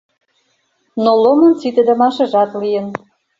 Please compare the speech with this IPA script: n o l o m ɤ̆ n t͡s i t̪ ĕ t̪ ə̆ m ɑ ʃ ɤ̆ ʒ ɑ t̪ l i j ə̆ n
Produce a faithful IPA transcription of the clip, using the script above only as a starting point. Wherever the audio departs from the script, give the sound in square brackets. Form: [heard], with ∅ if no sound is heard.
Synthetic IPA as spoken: n o l o m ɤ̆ n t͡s i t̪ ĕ [d̪] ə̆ m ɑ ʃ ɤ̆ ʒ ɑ t̪ l i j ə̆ n